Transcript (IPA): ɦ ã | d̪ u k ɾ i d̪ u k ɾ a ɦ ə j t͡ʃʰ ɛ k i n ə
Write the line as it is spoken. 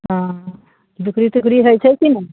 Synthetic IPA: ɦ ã | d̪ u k ɾ i t̪ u k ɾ i ɦ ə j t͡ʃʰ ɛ k i n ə

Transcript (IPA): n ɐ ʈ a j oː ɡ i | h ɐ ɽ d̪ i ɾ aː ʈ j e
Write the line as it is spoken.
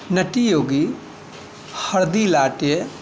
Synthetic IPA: n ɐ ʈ i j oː ɡ i | h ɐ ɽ d̪ i l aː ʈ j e

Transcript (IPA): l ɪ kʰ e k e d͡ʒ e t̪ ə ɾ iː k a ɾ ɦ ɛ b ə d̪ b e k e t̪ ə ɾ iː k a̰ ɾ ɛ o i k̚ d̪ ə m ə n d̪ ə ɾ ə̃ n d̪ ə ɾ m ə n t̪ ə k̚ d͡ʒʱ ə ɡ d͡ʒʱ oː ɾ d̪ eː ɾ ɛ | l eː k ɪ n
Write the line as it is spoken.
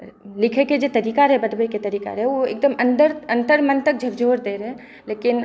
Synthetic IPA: l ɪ kʰ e k e d͡ʒ e t̪ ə ɾ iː k a ɾ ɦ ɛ b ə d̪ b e k e t̪ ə ɾ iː k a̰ ɾ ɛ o e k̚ d̪ ə m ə n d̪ ə ɾ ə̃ n t̪ ə ɾ m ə n t̪ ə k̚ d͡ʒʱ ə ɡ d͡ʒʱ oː ɾ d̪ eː ɾ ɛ | l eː k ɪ n

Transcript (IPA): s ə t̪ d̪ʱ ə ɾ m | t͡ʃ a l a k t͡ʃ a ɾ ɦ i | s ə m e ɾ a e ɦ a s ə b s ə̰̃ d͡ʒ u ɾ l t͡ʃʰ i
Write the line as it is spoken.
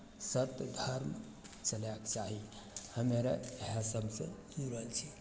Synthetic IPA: s ə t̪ d̪ʱ ə ɾ m | t͡ʃ ə l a k t͡ʃ a ɦ i | h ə m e ɾ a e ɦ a s ə b s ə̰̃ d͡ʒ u ɾ l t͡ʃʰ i

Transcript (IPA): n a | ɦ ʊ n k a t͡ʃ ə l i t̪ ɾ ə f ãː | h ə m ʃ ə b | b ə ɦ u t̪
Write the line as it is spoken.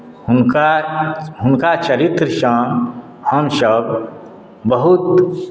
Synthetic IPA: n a | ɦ ʊ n k a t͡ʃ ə ɾ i t̪ ɾ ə ʃ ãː | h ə m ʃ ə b | b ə ɦ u t̪

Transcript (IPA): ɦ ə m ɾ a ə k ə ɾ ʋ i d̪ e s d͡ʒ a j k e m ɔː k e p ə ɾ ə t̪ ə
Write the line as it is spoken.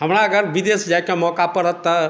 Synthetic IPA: ɦ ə m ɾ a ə ɡ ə ɾ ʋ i d̪ e s d͡ʒ a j k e m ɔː k a p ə ɾ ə t̪ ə

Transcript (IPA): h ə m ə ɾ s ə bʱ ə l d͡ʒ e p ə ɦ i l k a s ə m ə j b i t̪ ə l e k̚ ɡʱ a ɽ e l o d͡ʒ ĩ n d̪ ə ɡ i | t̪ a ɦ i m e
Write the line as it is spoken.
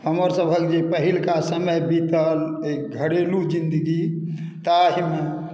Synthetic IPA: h ə m ə ɾ s ə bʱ ə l d͡ʒ e p ə ɦ i l k a s ə m ə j b i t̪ ə l e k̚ ɡʱ ə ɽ e l u d͡ʒ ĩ n d̪ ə ɡ i | t̪ a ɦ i m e

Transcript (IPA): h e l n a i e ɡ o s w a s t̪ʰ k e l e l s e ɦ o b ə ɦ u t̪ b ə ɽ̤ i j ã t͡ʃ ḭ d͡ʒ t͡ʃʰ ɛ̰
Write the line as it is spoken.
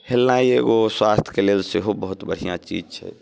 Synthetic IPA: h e l n a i e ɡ o s w a s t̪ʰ k e l e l s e ɦ o b ə ɦ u t̪ b ə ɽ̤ i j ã t͡ʃ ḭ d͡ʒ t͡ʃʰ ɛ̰

